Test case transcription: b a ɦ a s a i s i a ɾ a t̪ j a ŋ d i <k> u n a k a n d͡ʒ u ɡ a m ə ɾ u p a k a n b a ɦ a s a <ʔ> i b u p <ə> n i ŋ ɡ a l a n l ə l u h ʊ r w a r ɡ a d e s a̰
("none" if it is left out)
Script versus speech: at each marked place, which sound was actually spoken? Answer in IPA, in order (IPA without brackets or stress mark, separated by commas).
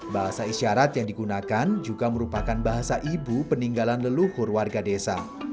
ɡ, ʔ, ə